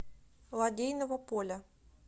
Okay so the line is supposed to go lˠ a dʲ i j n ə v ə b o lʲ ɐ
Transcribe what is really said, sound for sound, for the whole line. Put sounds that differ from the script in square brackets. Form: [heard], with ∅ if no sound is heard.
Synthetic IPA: lˠ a dʲ [e] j n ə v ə [p] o lʲ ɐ

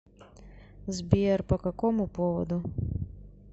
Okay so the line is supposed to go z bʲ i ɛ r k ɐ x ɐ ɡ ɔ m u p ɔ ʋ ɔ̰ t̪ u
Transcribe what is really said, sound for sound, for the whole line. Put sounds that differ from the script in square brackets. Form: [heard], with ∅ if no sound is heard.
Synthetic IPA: z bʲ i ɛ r [p] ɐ [k] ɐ [k] ɔ m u p ɔ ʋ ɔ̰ [d̪] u

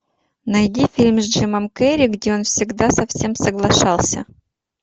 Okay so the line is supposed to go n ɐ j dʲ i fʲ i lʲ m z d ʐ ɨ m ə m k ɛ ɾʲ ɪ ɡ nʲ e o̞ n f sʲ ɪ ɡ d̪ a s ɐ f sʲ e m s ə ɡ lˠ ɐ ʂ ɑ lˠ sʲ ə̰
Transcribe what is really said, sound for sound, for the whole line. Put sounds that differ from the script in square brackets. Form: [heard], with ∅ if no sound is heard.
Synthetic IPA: n ɐ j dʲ i fʲ i lʲ m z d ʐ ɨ m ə m k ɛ ɾʲ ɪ ɡ [dʲ] e o̞ n f sʲ ɪ ɡ d̪ a s ɐ f sʲ e m s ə ɡ lˠ ɐ ʂ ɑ lˠ sʲ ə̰

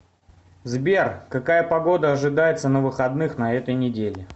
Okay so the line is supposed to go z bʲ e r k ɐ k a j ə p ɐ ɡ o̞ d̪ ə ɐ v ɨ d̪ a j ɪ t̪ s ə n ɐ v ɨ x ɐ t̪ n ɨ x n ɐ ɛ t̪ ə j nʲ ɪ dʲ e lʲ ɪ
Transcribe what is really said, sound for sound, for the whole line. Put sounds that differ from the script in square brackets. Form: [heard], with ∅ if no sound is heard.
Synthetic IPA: z bʲ e r k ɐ k a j ə p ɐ ɡ o̞ d̪ ə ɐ [ʐ] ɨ d̪ a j ɪ t̪ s ə n [ə] v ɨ x ɐ [d̪] n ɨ x n ɐ ɛ t̪ ə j nʲ ɪ dʲ e lʲ ɪ

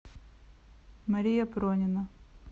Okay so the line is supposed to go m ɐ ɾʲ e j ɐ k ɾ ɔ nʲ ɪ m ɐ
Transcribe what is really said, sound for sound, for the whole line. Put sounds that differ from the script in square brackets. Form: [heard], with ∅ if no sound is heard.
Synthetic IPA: m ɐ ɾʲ [i] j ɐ [p] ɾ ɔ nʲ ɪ [n] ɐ

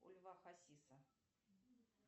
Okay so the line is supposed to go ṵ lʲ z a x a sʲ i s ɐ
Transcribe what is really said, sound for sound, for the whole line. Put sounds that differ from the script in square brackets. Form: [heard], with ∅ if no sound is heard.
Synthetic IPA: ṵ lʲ [v] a x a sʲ i s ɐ

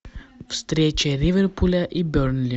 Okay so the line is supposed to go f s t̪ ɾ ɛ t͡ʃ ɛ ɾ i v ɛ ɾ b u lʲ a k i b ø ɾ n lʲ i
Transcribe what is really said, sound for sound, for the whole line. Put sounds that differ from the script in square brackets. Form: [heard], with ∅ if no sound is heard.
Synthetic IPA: f s t̪ ɾ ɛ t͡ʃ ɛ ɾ i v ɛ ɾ [p] u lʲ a [ʔ] i b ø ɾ n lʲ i

